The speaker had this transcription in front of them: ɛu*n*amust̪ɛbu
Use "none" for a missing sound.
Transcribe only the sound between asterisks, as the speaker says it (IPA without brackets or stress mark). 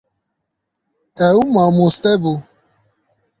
m